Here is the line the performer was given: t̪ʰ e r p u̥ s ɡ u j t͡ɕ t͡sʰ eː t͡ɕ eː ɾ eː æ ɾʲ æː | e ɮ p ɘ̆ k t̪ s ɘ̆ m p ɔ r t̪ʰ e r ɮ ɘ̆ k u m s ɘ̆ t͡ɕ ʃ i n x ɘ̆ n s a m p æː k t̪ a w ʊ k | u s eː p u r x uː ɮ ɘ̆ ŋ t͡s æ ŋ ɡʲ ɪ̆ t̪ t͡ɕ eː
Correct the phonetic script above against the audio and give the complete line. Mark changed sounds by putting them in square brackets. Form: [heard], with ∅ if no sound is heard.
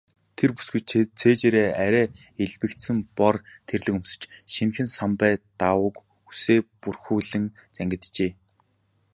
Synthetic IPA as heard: t̪ʰ e r p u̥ s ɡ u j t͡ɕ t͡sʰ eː t͡ɕ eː ɾ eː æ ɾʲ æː | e ɮ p ɘ̆ k t̪ s ɘ̆ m p ɔ r t̪ʰ e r ɮ ɘ̆ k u m s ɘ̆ t͡ɕ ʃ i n x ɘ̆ n s a m p æː [∅] t̪ a w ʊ k | u s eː p u r x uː ɮ ɘ̆ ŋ t͡s æ ŋ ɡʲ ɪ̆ t̪ t͡ɕ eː